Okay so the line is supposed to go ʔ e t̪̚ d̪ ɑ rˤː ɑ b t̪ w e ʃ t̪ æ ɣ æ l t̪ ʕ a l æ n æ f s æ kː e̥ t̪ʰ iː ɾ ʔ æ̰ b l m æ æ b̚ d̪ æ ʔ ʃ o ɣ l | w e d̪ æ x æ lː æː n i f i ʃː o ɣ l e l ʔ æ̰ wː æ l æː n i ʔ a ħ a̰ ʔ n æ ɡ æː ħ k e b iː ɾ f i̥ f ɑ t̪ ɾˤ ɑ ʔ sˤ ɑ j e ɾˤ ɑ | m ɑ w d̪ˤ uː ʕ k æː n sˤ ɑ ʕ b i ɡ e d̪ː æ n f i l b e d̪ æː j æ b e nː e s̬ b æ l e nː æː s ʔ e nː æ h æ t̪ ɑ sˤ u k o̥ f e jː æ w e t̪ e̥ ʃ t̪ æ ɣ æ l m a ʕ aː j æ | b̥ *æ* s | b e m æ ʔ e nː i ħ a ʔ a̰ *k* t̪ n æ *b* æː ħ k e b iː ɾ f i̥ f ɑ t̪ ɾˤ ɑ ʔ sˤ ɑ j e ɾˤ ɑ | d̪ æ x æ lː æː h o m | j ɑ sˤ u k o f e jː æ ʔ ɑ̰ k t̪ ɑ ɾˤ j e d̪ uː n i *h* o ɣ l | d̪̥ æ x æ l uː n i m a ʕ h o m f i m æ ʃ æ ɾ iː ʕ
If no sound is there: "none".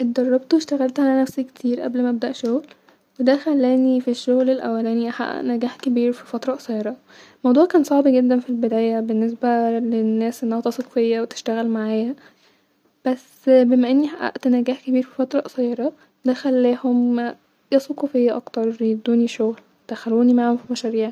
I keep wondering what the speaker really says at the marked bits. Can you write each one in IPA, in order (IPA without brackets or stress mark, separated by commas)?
æ, ʔ, ɡ, ʃ